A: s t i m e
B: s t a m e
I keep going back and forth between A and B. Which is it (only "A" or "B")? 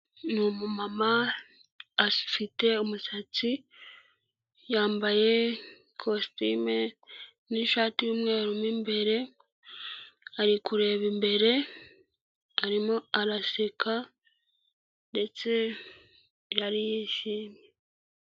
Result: A